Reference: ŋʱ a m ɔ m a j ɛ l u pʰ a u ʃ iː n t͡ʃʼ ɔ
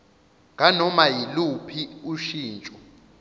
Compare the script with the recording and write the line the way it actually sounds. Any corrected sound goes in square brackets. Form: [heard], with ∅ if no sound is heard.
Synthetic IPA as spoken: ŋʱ a [n] ɔ m a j [i] l u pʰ [i] u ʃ iː n t͡ʃʼ ɔ